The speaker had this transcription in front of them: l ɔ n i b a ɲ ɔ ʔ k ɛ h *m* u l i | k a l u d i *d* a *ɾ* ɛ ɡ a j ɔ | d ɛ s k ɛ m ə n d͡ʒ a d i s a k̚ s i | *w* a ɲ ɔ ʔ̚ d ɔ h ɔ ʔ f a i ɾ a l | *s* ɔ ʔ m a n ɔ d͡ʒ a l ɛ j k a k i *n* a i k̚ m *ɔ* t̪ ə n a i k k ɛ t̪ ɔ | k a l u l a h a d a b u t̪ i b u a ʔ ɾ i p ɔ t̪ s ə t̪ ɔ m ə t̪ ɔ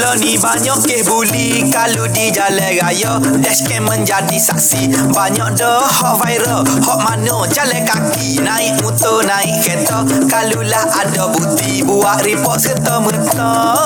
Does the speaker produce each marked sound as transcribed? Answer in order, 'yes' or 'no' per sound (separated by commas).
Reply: no, no, no, no, no, yes, no